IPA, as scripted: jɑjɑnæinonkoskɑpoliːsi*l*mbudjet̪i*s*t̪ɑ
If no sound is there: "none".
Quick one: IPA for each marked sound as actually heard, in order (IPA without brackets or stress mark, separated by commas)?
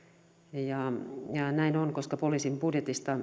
none, s